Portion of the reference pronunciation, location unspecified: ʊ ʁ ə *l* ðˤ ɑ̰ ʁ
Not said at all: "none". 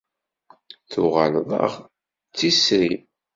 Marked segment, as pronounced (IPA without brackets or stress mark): l